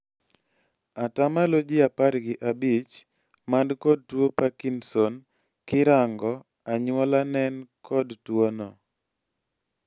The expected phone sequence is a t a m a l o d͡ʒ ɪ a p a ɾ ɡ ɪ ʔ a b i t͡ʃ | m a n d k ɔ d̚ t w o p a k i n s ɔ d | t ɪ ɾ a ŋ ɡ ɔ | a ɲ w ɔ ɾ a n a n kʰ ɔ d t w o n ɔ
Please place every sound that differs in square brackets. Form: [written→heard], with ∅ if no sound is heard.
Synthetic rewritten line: a t a m a l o d͡ʒ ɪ a p a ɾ ɡ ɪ ʔ a b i t͡ʃ | m a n d k ɔ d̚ t w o p a k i n s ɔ [d→n] | [t→k] ɪ ɾ a ŋ ɡ ɔ | a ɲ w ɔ [ɾ→l] a n [a→ɛ] n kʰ ɔ d t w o n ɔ

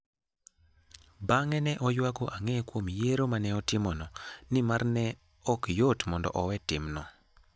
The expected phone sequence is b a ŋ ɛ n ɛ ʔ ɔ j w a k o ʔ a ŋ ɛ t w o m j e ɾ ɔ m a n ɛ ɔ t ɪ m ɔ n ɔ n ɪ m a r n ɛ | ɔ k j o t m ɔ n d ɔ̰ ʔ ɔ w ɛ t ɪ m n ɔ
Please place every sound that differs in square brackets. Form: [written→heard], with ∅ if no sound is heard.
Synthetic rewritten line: b a ŋ ɛ n ɛ ʔ ɔ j w a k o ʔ a ŋ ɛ [t→k] w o m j e ɾ [ɔ→o] m a n ɛ ɔ t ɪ m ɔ n ɔ n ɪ m a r n ɛ | ɔ k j o t m ɔ n d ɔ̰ ʔ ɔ w ɛ t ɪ m n ɔ

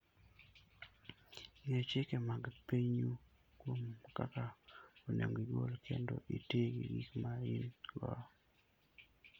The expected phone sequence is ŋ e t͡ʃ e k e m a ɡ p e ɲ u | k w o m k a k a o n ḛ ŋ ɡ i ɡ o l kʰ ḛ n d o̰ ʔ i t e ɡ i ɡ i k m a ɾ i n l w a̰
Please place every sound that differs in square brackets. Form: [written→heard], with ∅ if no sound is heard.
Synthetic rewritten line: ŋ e t͡ʃ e k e m a ɡ p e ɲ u | k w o m k a k a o n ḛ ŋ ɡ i ɡ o l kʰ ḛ n d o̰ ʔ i t e ɡ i ɡ i k m a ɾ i n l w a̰

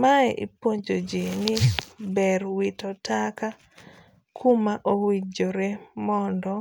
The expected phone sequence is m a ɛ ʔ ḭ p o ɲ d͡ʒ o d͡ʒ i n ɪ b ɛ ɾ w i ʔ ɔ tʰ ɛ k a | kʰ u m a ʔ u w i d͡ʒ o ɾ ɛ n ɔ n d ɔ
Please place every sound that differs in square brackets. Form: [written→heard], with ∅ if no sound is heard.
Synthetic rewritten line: m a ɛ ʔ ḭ p o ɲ d͡ʒ o d͡ʒ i n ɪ b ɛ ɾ w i [ʔ→t] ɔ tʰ [ɛ→a] k a | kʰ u m a ʔ [u→o] w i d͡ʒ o ɾ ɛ [n→m] ɔ n d ɔ

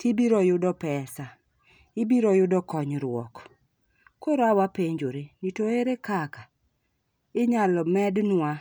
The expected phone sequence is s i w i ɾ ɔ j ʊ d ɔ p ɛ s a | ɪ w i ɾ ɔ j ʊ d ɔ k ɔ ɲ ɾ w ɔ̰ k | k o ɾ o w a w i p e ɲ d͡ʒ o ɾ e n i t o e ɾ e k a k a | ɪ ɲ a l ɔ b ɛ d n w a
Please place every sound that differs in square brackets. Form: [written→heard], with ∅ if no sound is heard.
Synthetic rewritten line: [s→t] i [w→b] i ɾ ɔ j ʊ d ɔ p ɛ s a | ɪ [w→b] i ɾ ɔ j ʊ d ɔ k ɔ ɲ ɾ w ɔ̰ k | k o ɾ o [w→∅] a w [i→a] p e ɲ d͡ʒ o ɾ e n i t o e ɾ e k a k a | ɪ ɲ a l ɔ [b→m] ɛ d n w a

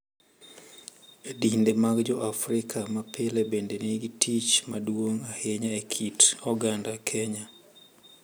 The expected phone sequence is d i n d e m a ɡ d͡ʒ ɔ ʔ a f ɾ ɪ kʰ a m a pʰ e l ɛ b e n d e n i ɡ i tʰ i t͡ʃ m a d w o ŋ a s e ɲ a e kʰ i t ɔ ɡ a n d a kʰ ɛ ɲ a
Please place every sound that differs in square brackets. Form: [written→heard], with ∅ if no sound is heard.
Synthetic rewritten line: d i n d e m a ɡ d͡ʒ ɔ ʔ a f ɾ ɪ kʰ a m a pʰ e l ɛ b e n d e n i ɡ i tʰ i t͡ʃ m a d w o ŋ a [s→h] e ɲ a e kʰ i t ɔ ɡ a n d a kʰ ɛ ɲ a

